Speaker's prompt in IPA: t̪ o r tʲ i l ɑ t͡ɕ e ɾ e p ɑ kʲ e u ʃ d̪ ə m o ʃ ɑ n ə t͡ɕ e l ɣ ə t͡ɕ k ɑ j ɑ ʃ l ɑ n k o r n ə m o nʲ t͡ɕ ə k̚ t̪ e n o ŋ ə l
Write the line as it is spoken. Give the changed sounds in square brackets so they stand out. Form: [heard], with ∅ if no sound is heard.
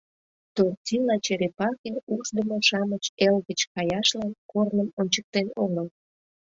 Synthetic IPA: t̪ o r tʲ i l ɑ t͡ɕ e ɾ e p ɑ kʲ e u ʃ d̪ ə m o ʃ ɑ [m] ə t͡ɕ e l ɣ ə t͡ɕ k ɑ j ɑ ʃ l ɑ n k o r n ə m o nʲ t͡ɕ ə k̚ t̪ e n o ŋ ə l